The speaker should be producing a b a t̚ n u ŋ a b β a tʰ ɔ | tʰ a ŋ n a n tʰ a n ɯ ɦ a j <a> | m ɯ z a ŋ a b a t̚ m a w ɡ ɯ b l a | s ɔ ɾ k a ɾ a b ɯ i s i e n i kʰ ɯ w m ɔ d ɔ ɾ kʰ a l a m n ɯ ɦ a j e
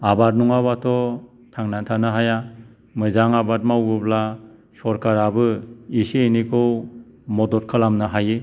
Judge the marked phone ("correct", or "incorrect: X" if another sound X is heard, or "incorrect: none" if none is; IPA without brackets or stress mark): correct